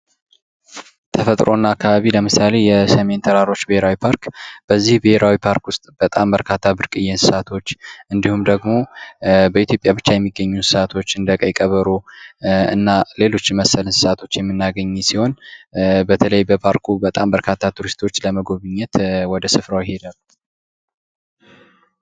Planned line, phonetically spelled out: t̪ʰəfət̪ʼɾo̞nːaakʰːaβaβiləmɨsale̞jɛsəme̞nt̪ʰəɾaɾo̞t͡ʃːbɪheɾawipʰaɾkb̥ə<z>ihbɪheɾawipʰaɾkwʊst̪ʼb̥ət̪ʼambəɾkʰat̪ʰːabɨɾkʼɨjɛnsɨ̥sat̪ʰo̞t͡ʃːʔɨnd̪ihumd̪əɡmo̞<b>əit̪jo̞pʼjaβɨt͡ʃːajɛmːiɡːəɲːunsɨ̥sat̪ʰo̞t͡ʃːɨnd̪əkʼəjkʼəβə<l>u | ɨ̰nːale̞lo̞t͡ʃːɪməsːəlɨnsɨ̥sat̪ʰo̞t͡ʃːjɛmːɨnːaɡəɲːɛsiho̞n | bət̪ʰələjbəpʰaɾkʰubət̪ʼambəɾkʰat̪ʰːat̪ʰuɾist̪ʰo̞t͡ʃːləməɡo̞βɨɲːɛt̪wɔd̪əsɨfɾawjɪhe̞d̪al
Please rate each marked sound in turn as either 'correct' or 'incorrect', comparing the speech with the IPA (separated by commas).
incorrect, correct, incorrect